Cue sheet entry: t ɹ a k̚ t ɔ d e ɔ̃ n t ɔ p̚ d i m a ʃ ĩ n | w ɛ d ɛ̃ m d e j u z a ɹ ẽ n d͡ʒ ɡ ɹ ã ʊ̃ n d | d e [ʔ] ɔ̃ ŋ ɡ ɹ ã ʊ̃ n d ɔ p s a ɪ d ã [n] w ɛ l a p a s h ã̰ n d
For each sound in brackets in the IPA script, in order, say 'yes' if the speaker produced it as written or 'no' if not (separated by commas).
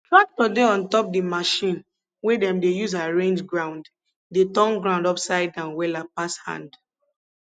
no, yes